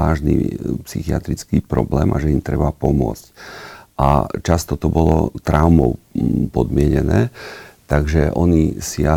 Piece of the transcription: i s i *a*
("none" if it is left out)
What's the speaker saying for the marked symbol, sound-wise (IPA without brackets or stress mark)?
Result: a